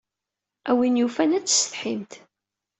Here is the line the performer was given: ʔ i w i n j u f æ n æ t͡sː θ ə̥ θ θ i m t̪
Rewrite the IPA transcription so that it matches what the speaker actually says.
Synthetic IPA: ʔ æ w i n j u f æ n æ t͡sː s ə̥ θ ħ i m t̪